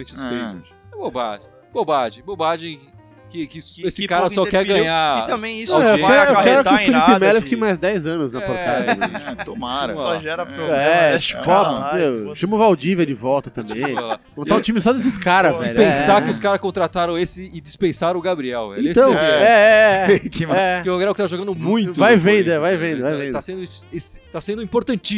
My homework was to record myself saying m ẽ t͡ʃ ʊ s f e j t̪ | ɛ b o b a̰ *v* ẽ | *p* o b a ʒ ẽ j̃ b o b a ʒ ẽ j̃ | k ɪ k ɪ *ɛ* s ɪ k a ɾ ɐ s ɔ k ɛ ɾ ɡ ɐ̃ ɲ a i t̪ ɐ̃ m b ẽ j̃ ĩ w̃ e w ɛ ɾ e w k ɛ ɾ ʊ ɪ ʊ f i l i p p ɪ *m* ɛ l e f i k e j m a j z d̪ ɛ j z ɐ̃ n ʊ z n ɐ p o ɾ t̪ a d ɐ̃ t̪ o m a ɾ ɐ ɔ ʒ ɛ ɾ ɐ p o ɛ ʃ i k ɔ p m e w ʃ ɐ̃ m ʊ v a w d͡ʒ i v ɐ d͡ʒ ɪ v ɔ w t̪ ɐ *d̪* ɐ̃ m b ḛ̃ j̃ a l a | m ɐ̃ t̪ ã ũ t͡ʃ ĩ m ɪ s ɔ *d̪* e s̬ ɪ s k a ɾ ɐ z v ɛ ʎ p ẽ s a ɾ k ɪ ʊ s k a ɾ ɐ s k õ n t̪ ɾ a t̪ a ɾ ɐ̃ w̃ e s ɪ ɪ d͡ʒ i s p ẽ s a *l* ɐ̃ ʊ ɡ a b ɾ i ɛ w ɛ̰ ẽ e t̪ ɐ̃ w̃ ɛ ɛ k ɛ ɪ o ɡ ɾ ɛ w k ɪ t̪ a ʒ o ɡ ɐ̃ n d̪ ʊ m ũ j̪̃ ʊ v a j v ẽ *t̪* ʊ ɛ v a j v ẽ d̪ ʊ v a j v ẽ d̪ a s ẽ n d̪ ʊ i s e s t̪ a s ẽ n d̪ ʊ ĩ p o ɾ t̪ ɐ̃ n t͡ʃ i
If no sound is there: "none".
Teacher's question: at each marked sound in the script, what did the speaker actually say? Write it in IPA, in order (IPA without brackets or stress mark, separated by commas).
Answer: ʒ, b, e, m, t̪, d̪, ɾ, d̪